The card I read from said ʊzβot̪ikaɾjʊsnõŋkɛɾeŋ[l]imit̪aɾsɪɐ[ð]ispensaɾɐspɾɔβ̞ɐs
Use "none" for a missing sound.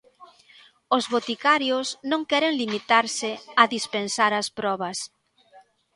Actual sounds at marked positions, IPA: l, ð

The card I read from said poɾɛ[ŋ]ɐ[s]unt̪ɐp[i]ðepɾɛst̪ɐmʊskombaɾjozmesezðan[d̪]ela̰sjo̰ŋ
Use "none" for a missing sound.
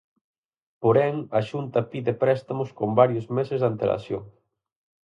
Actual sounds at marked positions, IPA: ŋ, ʃ, i, t̪

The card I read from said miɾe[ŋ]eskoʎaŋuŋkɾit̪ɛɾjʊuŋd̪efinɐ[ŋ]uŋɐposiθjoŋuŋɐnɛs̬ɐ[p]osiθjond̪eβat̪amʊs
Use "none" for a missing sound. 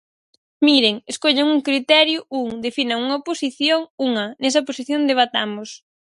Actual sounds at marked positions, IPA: ŋ, ŋ, p

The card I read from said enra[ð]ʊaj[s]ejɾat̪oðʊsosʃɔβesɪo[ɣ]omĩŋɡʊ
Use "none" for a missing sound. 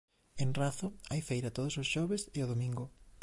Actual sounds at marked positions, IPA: θ, f, ð

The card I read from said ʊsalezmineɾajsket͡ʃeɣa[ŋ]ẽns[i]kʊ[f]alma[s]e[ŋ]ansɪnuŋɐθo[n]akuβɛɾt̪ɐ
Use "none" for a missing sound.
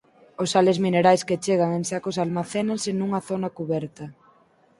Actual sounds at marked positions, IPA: ŋ, a, s, θ, n, n

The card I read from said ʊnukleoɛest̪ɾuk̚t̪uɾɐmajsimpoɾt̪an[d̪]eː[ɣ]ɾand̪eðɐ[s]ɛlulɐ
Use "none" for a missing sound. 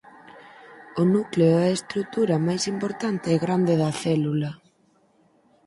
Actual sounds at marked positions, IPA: t̪, ɣ, θ

